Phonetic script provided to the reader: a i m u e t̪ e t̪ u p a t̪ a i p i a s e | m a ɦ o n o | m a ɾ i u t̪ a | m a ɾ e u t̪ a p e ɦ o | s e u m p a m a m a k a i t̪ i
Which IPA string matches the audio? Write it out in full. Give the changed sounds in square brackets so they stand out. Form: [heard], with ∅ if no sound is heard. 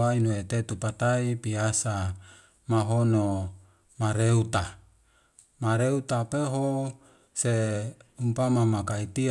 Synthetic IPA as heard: a i [n] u e t̪ e t̪ u p a t̪ a i p i a s [a] | m a ɦ o n o | m a ɾ [e] u t̪ a | m a ɾ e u t̪ a p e ɦ o | s e u m p a m a m a k a i t̪ i